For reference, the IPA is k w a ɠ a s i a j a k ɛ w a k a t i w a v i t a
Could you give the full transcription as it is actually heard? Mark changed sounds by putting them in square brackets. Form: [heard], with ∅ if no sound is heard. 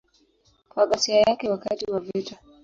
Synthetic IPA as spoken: k w a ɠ a s i a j a k ɛ w a k a t i w a v i t a